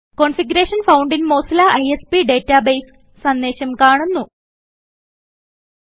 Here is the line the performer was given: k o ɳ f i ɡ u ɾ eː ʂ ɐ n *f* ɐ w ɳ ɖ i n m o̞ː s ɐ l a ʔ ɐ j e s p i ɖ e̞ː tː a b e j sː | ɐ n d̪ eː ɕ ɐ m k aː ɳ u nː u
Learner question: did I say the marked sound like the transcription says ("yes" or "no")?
yes